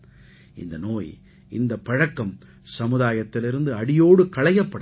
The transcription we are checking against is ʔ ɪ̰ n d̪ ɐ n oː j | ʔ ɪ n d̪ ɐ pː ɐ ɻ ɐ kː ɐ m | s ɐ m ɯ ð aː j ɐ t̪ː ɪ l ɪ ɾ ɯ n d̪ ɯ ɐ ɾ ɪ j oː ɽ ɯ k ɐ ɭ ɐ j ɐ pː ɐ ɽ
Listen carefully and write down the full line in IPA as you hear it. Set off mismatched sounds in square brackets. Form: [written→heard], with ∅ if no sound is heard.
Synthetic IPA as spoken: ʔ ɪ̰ n d̪ ɐ n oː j | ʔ ɪ n d̪ ɐ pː ɐ ɻ ɐ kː ɐ m | s ɐ m ɯ ð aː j ɐ t̪ː ɪ l ɪ ɾ ɯ n d̪ ɯ ɐ [ɾ→ɽ] ɪ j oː ɽ ɯ k ɐ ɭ ɐ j ɐ pː ɐ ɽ